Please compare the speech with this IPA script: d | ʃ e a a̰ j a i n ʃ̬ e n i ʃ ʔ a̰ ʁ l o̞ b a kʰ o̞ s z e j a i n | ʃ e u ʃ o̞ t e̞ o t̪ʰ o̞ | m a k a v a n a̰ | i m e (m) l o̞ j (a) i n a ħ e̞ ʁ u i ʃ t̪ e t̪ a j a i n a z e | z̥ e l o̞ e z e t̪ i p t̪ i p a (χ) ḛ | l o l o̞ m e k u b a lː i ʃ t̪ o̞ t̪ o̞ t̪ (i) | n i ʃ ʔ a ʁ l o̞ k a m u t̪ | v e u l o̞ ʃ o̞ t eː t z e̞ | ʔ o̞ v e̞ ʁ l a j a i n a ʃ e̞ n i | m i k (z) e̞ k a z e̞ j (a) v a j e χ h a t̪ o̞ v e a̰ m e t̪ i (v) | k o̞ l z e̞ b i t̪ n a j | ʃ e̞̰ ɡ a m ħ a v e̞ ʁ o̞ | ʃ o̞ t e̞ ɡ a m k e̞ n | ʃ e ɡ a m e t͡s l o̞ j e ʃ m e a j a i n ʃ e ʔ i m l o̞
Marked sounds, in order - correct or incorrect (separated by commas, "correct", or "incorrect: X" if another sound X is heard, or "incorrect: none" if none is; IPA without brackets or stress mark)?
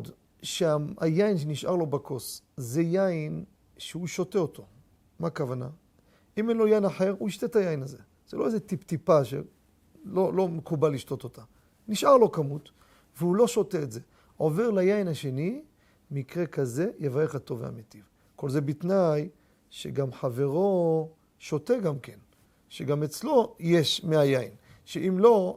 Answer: incorrect: n, correct, incorrect: ʃ, incorrect: a, incorrect: ʁ, incorrect: e, correct